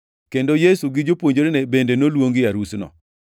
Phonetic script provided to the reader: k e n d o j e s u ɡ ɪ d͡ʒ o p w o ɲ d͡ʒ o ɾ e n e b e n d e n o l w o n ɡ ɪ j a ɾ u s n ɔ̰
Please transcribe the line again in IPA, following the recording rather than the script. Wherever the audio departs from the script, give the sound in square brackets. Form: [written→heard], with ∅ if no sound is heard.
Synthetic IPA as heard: k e n d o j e s u ɡ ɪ d͡ʒ o p w o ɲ d͡ʒ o ɾ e n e b e n d e n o l w o [n→ŋ] ɡ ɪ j a ɾ u s n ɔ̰